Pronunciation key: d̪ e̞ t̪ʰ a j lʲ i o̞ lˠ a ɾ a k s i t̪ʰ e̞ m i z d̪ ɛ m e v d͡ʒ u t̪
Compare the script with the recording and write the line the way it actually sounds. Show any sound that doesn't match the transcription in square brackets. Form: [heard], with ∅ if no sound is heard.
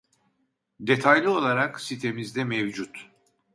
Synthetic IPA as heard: d̪ e̞ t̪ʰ a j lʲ i o̞ lˠ a ɾ a k s i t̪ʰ e̞ m i z d̪ ɛ m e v d͡ʒ u t̪